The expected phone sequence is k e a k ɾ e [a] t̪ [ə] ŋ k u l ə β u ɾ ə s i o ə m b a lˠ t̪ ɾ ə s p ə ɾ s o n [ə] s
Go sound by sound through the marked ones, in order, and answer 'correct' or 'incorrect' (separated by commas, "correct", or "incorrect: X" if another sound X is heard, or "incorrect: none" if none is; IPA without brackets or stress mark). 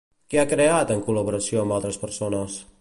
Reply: correct, correct, correct